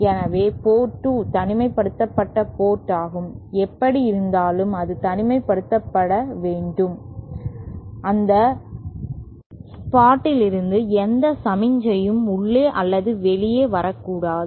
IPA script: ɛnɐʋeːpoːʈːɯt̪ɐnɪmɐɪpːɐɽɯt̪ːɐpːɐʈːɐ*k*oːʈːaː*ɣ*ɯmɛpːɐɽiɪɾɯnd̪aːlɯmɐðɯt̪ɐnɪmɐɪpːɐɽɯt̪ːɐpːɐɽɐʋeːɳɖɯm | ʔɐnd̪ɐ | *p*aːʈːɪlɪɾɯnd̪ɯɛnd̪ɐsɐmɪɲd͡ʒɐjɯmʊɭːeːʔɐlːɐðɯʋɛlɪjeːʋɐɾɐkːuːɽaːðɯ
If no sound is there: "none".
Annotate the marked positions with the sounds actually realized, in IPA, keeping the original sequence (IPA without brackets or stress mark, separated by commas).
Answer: p, ɣ, p